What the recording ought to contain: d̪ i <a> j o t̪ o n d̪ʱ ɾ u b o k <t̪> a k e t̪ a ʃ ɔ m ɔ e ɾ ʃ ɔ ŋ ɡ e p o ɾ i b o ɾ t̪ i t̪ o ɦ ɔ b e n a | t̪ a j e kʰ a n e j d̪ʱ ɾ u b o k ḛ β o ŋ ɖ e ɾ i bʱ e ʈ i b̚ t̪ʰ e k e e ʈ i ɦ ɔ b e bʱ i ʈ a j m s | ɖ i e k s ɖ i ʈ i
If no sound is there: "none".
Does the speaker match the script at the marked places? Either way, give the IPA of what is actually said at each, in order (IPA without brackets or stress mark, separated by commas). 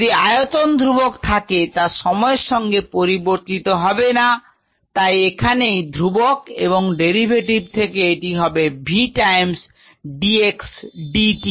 a, t̪ʰ